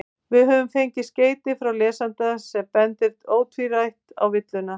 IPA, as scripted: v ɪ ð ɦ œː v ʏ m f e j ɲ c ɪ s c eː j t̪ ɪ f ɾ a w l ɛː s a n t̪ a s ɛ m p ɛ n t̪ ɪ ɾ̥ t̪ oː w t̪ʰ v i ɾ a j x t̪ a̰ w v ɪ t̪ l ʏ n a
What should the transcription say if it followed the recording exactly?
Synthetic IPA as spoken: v ɪ ð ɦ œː v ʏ m f e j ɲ c ɪ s c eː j t̪ ɪ f ɾ a w l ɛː s a n t̪ a s ɛ m p ɛ n t̪ ɪ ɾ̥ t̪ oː w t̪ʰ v i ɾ a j h t̪ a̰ w v ɪ t̪ l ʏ n a